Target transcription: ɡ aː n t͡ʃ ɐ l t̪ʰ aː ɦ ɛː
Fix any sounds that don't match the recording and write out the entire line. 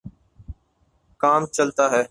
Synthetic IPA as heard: k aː m t͡ʃ ə l t̪ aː ɦ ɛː